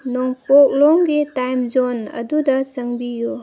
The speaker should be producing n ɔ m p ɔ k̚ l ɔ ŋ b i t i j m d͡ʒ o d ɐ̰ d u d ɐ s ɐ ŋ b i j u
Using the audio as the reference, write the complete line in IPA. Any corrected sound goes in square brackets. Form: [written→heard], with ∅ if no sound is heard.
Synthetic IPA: n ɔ [m→ŋ] p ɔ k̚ l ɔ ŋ [b→ɡ] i t [i→a] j m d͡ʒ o [d→n] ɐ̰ d u d ɐ s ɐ ŋ b i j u